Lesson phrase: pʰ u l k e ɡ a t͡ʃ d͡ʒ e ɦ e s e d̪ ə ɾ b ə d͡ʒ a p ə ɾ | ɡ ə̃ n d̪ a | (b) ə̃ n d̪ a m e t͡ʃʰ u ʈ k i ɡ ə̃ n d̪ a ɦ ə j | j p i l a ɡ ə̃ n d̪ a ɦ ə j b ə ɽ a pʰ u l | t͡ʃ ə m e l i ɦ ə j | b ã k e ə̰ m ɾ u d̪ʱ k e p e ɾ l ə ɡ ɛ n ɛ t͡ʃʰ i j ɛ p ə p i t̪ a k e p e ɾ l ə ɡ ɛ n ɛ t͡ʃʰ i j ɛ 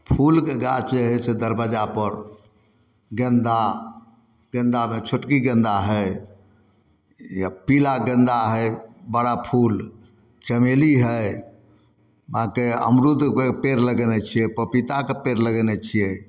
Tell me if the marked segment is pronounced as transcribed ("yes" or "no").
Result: no